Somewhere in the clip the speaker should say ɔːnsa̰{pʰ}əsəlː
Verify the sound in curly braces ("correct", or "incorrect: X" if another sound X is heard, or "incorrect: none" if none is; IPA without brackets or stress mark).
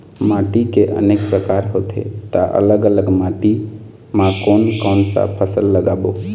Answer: correct